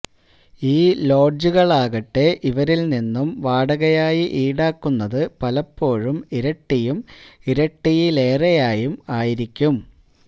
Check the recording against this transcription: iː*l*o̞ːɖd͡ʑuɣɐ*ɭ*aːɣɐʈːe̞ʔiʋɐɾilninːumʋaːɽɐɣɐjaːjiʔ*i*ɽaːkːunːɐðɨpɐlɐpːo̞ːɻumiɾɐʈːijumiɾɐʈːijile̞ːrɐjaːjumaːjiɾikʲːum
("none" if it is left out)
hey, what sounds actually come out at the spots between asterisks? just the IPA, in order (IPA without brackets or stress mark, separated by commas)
l, ɭ, iː